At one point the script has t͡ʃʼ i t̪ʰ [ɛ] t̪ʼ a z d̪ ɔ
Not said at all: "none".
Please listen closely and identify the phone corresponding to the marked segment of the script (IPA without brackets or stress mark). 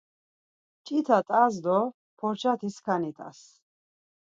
a